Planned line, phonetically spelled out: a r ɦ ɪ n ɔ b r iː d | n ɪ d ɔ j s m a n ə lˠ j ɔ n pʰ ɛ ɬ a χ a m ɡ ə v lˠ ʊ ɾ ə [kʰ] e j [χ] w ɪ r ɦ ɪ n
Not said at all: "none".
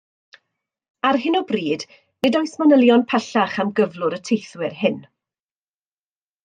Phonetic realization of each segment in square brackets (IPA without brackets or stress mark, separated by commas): tʰ, θ